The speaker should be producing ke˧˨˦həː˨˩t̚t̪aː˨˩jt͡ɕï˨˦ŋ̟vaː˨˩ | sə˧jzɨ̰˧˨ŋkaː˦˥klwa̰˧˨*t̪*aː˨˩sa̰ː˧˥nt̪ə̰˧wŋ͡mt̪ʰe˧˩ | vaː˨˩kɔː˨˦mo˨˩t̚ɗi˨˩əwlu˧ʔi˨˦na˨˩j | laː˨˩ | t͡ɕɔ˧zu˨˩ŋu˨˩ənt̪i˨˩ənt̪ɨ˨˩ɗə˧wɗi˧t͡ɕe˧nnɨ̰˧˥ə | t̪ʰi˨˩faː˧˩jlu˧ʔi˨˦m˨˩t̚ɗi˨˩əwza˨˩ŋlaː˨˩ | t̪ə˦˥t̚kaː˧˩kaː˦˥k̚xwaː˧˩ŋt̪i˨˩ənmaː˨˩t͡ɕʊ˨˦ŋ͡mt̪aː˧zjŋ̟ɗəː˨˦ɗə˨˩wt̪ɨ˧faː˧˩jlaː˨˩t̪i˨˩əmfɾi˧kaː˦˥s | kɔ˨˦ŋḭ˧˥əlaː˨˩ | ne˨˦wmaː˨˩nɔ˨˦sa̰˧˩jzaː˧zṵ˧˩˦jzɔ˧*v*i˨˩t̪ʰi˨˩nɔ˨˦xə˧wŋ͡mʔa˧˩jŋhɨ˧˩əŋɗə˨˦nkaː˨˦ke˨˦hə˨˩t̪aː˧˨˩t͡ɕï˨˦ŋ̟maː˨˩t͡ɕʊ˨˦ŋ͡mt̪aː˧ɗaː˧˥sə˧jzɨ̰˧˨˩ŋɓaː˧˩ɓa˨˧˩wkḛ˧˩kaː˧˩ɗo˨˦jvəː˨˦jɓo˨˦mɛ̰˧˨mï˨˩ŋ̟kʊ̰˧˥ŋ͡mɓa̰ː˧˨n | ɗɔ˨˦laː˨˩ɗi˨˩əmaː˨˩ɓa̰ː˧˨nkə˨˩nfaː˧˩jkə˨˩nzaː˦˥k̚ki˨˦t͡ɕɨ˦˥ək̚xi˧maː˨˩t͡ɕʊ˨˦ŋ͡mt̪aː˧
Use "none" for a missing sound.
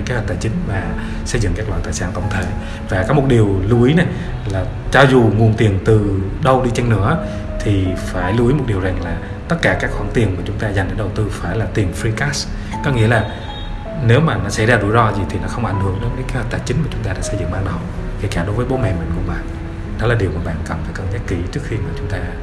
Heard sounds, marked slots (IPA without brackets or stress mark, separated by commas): t̪, z